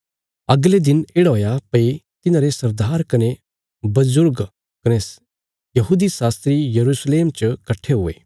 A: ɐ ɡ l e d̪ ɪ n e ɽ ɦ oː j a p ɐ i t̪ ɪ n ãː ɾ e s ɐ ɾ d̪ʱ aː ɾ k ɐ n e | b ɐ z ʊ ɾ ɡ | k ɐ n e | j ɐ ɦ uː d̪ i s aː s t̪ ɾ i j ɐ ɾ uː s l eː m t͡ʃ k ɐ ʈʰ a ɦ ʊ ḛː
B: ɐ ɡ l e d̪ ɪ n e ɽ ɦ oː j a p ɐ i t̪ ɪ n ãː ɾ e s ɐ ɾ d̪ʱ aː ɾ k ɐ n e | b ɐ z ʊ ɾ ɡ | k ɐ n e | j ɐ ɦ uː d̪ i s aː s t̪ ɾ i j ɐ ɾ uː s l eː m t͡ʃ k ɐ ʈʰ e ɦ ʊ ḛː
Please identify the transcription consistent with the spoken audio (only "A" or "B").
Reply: B